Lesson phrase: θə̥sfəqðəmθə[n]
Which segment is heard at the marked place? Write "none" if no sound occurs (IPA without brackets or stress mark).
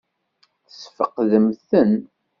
n